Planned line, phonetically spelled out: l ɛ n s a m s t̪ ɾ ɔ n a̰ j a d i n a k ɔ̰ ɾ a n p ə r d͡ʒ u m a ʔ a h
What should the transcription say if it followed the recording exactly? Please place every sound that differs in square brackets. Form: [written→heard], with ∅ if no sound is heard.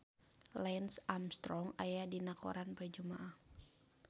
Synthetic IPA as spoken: l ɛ n s a m s t̪ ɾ ɔ [n→ŋ] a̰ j a d i n a k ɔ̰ ɾ a n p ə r d͡ʒ u m a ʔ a h